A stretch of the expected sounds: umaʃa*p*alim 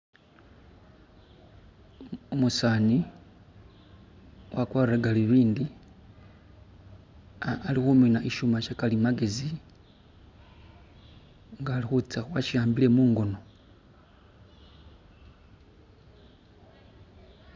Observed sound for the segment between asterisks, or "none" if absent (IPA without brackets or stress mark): k